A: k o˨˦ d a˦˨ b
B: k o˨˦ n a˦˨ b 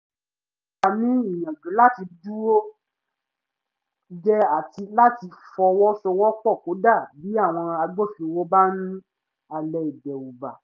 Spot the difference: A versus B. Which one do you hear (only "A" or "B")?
A